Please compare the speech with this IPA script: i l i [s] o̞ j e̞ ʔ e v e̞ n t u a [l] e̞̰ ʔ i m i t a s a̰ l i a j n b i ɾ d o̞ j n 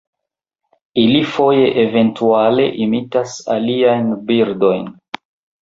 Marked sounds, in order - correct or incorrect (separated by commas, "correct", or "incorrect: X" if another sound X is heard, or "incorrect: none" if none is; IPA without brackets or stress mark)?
incorrect: f, correct